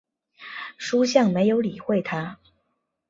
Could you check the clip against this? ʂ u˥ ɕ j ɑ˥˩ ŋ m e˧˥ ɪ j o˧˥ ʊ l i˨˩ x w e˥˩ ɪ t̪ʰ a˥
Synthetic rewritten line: ʂ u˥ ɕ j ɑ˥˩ ŋ m e˧˥ ɪ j o˧˥ ʊ l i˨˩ x w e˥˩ ɪ t̪ʰ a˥

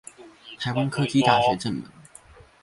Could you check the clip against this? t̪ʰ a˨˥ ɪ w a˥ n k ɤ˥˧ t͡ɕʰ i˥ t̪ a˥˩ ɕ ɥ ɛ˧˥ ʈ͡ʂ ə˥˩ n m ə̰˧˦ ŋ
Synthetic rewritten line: t̪ʰ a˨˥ ɪ w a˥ n kʰ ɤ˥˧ t͡ɕ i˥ t̪ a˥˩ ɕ ɥ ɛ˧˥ ʈ͡ʂ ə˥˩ n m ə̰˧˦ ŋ

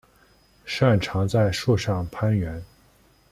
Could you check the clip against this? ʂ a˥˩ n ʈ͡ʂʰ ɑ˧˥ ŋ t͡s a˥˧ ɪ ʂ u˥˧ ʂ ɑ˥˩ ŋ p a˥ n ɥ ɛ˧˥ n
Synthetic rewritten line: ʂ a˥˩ n ʈ͡ʂʰ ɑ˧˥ ŋ t͡s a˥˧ ɪ ʂ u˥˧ ʂ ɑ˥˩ ŋ pʰ a˥ n ɥ ɛ˧˥ n

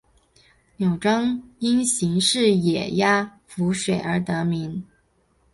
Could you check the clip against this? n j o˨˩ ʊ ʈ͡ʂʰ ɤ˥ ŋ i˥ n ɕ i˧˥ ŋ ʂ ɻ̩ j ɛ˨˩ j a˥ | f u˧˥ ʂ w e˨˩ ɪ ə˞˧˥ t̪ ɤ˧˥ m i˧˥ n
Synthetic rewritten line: n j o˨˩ ʊ ʈ͡ʂ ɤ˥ ŋ i˥ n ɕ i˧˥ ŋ ʂ ɻ̩ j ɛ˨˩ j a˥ | f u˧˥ ʂ w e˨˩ ɪ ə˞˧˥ t̪ ɤ˧˥ m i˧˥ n

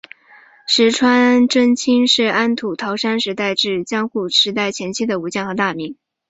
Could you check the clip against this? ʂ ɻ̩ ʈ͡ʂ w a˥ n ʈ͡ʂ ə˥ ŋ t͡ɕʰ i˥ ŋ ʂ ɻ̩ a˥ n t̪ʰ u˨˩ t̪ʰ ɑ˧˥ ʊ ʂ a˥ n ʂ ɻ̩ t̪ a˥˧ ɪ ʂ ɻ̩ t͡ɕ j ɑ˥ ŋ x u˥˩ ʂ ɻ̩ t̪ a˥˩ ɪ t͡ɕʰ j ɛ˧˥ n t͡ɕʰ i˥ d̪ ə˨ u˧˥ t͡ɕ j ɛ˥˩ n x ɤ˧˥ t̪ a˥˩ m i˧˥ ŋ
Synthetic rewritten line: ʂ ɻ̩ ʈ͡ʂʰ w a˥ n ʈ͡ʂ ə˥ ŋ t͡ɕʰ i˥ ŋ ʂ ɻ̩ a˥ n t̪ʰ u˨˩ t̪ʰ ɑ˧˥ ʊ ʂ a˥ n ʂ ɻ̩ t̪ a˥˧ ɪ ʈ͡ʂ ɻ̩ t͡ɕ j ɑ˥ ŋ x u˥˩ ʂ ɻ̩ t̪ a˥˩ ɪ t͡ɕʰ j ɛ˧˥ n t͡ɕʰ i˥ d̪ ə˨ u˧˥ t͡ɕ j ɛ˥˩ n x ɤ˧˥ t̪ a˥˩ m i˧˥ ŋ

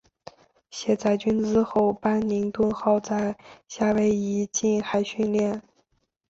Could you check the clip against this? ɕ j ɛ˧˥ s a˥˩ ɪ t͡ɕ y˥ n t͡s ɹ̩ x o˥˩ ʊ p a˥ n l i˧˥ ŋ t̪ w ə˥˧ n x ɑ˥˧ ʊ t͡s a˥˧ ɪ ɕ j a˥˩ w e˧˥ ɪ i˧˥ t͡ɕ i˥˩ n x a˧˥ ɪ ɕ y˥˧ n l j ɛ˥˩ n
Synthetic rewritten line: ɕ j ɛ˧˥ t͡s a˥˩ ɪ t͡ɕ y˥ n t͡s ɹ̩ x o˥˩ ʊ p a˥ n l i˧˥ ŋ t̪ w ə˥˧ n x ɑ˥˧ ʊ t͡s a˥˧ ɪ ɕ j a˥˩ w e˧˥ ɪ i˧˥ t͡ɕ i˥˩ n x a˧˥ ɪ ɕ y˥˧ n l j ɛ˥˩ n

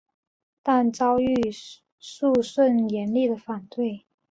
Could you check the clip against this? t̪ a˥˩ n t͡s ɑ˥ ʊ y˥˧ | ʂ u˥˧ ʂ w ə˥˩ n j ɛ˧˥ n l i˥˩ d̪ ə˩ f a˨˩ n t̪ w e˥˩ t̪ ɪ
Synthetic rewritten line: t̪ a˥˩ n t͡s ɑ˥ ʊ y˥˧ | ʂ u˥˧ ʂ w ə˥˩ n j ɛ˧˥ n l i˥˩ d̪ ə˩ f a˨˩ n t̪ w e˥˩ ɪ

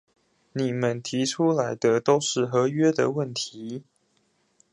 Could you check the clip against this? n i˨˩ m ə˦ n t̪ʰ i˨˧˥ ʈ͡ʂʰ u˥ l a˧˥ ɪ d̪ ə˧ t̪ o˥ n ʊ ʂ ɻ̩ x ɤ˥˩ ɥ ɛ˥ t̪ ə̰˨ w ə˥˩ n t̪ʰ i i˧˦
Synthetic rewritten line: n i˨˩ m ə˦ n t̪ʰ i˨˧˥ ʈ͡ʂʰ u˥ l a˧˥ ɪ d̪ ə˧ t̪ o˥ ʊ ʂ ɻ̩ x ɤ˧˥ ɥ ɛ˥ d̪ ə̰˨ w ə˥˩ n t̪ʰ i i˧˦

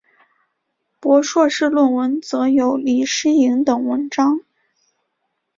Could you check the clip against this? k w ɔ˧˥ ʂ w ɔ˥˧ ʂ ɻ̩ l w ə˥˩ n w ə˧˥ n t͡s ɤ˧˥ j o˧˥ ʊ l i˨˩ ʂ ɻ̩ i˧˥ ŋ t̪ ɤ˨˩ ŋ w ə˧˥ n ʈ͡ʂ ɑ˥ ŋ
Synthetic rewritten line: p w ɔ˧˥ ʂ w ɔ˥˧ ʂ ɻ̩ l w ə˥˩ n w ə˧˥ n t͡s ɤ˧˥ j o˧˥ ʊ l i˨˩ ʂ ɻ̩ i˧˥ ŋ t̪ ɤ˨˩ ŋ w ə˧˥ n ʈ͡ʂ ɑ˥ ŋ

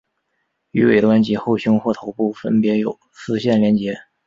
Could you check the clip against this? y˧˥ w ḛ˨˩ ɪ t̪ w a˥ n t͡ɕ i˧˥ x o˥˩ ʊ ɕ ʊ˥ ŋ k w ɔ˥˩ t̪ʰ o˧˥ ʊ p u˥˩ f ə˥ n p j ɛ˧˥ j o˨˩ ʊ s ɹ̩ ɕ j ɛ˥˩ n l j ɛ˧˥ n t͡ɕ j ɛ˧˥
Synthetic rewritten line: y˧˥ w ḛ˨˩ ɪ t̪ w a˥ n t͡ɕ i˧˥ x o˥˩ ʊ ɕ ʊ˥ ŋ x w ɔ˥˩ t̪ʰ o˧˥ ʊ p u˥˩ f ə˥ n p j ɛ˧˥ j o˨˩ ʊ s ɹ̩ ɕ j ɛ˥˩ n l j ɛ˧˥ n t͡ɕ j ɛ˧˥

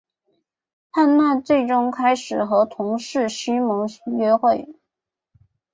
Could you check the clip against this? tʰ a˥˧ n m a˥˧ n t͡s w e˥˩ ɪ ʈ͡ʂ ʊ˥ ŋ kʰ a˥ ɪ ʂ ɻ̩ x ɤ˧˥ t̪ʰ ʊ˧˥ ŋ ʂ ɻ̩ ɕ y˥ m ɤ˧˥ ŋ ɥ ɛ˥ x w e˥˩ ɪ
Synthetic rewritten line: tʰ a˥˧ n m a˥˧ n t͡s w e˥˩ ɪ ʈ͡ʂ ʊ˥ ŋ kʰ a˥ ɪ ʂ ɻ̩ x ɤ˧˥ t̪ʰ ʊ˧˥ ŋ ʂ ɻ̩ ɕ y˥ m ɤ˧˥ ŋ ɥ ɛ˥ x w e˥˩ ɪ

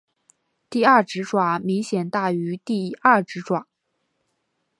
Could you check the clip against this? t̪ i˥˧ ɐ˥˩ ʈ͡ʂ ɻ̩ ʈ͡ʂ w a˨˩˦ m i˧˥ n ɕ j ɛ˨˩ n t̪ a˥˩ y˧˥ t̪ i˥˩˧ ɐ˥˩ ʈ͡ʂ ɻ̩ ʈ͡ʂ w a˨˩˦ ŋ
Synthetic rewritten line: t̪ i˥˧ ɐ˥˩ ʈ͡ʂ ɻ̩ ʈ͡ʂ w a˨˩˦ m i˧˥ ŋ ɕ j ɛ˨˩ n t̪ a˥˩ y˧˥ t̪ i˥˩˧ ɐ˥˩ ʈ͡ʂ ɻ̩ ʈ͡ʂ w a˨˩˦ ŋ

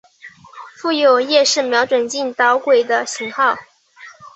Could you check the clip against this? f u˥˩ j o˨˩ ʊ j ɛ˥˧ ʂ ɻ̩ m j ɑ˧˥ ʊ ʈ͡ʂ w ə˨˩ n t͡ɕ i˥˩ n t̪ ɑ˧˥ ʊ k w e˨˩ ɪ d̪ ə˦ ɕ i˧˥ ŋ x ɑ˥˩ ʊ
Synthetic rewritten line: f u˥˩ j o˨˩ ʊ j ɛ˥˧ ʂ ɻ̩ m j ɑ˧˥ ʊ ʈ͡ʂ w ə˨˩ n t͡ɕ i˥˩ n t̪ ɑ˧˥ ʊ k w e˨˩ ɪ d̪ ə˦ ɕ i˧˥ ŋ x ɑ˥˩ ʊ

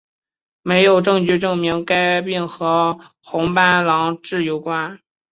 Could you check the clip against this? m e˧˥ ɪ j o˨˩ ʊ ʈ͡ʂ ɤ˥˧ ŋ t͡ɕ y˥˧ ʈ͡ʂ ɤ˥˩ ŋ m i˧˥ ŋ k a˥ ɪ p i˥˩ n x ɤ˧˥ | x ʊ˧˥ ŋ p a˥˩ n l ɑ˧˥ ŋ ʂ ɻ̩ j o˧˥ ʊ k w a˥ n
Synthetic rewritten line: m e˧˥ ɪ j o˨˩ ʊ ʈ͡ʂ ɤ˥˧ ŋ t͡ɕ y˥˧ ʈ͡ʂ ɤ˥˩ ŋ m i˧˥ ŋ k a˥ ɪ p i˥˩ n x ɤ˧˥ | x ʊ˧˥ ŋ p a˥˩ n l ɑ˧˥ ŋ ʈ͡ʂ ɻ̩ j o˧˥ ʊ k w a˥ n

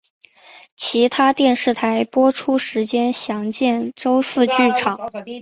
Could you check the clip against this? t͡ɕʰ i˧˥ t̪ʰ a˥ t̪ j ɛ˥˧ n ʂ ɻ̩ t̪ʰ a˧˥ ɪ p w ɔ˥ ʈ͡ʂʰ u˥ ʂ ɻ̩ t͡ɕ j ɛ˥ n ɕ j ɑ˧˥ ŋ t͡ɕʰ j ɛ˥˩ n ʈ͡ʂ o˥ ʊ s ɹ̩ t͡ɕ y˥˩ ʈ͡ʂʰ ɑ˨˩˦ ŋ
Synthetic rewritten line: t͡ɕʰ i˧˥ t̪ʰ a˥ t̪ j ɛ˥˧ n ʂ ɻ̩ t̪ʰ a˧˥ ɪ p w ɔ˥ ʈ͡ʂʰ u˥ ʂ ɻ̩ t͡ɕ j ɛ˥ n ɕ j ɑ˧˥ ŋ t͡ɕ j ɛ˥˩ n ʈ͡ʂ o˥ ʊ s ɹ̩ t͡ɕ y˥˩ ʈ͡ʂʰ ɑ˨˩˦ ŋ

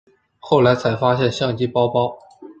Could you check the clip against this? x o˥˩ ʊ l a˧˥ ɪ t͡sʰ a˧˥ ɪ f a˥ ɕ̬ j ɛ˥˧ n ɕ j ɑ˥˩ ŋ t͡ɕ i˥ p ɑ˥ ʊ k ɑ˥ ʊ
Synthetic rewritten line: x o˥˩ ʊ l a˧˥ ɪ t͡sʰ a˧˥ ɪ f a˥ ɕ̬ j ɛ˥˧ n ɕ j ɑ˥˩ ŋ t͡ɕ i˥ p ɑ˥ ʊ p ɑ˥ ʊ

